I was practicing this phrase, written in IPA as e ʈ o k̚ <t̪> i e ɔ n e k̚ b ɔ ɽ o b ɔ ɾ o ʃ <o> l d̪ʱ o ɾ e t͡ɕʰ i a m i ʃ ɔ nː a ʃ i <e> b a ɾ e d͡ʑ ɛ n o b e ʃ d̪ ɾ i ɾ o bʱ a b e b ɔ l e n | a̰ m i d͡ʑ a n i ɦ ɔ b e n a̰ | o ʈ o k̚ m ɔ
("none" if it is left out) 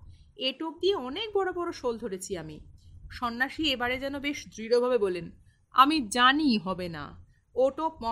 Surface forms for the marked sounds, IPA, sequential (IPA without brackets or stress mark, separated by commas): d̪, o, e